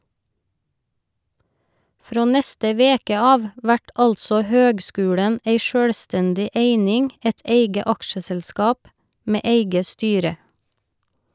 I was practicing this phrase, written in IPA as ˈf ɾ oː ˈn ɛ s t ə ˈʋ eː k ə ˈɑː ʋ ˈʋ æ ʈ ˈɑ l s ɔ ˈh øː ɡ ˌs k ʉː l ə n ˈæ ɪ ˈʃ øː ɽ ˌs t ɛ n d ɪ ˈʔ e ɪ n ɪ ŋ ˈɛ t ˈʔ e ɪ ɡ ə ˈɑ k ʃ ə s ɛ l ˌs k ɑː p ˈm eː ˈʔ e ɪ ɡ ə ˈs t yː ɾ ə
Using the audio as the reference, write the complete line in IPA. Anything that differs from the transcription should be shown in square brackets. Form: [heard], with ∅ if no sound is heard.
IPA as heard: ˈf ɾ oː ˈn ɛ s t ə ˈʋ eː k ə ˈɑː ʋ ˈʋ æ ʈ ˈɑ l s ɔ ˈh øː ɡ ˌs k ʉː [ɽ] ə n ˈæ ɪ ˈʃ øː ɽ ˌs t ɛ n d ɪ ˈʔ e ɪ n ɪ ŋ ˈɛ t ˈʔ e ɪ ɡ ə ˈɑ k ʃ ə s ɛ l ˌs k ɑː p ˈm eː ˈʔ e ɪ ɡ ə ˈs t yː ɾ ə